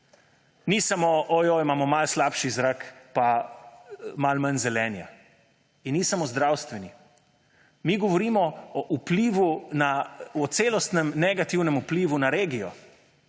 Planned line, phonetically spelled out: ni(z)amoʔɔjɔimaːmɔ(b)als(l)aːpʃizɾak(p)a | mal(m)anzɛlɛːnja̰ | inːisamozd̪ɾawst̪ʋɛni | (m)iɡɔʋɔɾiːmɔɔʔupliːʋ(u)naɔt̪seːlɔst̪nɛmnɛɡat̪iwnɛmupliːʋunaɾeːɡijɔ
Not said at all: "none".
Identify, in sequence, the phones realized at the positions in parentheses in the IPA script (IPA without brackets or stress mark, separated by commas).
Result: s, m, l, p, m, m, u